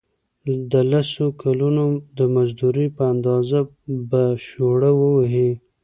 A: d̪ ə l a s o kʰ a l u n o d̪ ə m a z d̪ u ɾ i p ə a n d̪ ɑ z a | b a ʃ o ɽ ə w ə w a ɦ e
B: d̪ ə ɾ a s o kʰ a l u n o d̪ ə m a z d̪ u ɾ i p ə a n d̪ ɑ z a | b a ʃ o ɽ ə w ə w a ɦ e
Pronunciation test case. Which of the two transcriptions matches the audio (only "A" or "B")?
A